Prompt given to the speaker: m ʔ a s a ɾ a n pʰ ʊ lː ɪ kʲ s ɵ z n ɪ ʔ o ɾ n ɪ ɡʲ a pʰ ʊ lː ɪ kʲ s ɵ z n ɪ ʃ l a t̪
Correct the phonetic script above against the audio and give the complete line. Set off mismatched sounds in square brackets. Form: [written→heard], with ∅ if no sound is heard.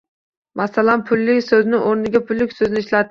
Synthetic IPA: m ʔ a s a [ɾ→l] a n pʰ ʊ lː ɪ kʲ s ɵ z n ɪ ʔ o ɾ n ɪ ɡʲ a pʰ ʊ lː ɪ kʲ s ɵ z n ɪ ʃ l a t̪